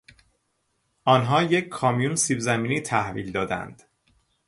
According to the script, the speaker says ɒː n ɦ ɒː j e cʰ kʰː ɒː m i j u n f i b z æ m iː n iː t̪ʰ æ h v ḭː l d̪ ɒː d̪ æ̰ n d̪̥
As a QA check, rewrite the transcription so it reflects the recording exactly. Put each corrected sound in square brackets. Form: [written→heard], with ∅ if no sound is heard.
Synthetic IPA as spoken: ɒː n ɦ ɒː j e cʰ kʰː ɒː m i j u n [f→s] i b z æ m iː n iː t̪ʰ æ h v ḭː l d̪ ɒː d̪ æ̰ n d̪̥